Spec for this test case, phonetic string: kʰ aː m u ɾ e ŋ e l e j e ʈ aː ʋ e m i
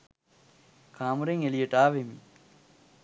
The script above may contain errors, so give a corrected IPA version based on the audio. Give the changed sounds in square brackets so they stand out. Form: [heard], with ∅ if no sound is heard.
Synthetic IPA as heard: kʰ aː m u ɾ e ŋ e l [i] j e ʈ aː ʋ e m i